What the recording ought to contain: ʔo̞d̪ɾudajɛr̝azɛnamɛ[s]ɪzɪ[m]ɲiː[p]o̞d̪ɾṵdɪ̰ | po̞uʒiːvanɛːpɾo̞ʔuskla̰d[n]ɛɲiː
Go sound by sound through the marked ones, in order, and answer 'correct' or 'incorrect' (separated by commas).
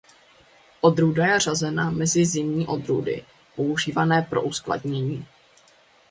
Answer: incorrect, correct, incorrect, incorrect